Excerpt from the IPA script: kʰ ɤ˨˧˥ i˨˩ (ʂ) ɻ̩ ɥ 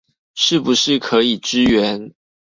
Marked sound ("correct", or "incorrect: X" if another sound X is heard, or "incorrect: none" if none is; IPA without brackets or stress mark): incorrect: ʈ͡ʂ